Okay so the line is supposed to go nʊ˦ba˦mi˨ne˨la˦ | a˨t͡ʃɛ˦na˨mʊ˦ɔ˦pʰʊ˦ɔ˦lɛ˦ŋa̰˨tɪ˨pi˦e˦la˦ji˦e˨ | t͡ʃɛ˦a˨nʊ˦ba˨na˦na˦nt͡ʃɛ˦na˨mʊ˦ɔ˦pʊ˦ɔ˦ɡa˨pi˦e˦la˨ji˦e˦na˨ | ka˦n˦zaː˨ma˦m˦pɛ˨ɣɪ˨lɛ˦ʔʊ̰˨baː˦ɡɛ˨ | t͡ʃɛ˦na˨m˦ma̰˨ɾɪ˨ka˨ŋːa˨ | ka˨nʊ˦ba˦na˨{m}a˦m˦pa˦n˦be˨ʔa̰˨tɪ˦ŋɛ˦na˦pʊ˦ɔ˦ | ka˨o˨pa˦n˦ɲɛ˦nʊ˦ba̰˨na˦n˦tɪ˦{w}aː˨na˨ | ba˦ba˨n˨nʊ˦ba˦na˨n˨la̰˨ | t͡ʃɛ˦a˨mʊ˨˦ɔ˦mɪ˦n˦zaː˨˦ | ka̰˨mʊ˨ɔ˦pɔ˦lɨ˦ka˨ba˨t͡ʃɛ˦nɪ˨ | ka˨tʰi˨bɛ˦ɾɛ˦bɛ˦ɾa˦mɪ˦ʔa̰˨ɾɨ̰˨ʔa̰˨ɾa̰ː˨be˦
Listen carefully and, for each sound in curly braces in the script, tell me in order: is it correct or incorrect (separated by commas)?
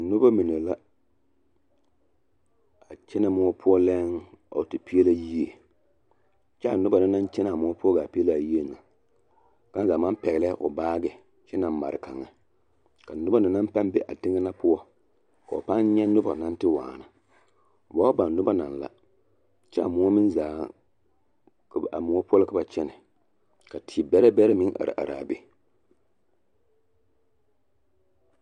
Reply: incorrect, correct